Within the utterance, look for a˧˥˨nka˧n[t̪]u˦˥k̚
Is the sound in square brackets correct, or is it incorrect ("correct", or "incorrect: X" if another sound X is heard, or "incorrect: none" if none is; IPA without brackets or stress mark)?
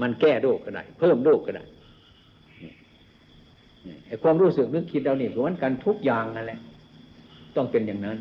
incorrect: t̪ʰ